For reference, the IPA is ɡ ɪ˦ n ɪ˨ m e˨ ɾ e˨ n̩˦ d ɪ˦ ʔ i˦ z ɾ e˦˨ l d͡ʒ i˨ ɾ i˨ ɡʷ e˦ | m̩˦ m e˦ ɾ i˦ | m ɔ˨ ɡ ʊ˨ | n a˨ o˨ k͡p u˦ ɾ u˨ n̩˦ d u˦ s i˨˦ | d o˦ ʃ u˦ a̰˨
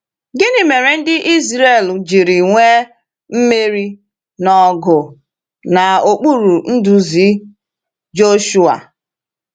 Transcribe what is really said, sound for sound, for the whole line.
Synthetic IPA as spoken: ɡ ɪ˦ n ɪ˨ m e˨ ɾ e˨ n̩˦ d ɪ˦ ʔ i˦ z ɾ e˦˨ l d͡ʒ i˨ ɾ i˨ ŋʷ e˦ | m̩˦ m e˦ ɾ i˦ | n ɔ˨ ɡ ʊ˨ | n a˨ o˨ k͡p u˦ ɾ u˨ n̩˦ d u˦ z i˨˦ | d͡ʒ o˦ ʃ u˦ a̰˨